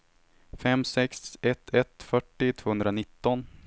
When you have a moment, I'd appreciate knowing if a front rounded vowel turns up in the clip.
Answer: yes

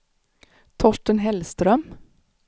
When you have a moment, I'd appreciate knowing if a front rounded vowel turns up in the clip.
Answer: yes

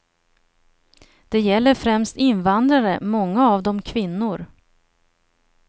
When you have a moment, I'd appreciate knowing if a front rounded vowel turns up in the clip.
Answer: no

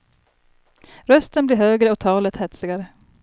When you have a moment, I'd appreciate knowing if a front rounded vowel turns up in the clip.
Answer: yes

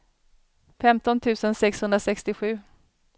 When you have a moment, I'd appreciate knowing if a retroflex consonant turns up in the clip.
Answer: no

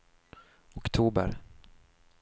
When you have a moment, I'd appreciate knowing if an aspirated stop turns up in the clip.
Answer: yes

